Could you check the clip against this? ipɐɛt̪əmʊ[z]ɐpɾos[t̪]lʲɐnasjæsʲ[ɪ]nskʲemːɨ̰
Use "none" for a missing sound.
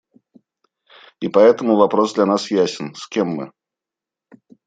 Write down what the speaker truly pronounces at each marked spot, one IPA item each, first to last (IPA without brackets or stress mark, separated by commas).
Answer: v, d̪, ɪ